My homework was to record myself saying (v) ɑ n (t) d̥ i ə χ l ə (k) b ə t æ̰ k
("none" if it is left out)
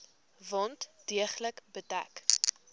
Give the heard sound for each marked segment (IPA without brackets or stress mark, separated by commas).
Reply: v, t, k